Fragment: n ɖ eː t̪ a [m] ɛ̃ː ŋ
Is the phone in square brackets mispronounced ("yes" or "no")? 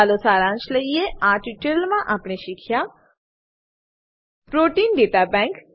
yes